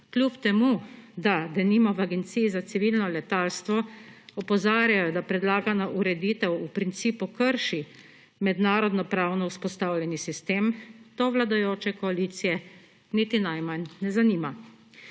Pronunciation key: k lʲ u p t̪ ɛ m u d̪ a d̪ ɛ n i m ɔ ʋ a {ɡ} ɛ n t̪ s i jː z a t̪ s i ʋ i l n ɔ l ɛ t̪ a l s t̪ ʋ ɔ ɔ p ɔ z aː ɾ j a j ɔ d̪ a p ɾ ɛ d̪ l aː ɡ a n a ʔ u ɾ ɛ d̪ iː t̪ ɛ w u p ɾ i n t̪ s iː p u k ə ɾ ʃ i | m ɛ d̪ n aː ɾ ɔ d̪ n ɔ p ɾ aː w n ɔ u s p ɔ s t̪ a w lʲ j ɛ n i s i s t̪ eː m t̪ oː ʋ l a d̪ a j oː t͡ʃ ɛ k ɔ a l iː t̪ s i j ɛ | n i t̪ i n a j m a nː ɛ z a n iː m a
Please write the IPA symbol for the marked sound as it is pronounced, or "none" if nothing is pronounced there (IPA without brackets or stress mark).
ɡ